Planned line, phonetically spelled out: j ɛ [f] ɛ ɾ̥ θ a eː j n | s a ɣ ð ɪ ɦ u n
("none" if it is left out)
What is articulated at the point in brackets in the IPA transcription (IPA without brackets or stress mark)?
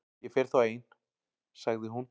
f